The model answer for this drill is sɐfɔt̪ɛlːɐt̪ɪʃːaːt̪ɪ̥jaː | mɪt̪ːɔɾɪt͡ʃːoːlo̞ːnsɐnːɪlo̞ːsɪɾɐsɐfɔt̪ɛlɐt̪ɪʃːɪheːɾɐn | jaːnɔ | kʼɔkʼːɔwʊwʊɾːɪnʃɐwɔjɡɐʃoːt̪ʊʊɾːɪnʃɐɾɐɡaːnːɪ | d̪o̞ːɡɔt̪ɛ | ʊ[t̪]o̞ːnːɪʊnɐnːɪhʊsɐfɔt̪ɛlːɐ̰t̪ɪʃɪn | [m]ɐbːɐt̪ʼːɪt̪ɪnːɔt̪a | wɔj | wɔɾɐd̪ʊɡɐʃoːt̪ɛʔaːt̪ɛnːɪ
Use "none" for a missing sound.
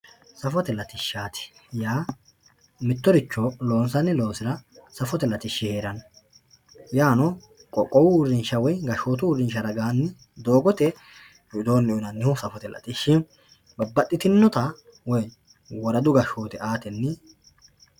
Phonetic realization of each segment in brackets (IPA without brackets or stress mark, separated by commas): d̪, b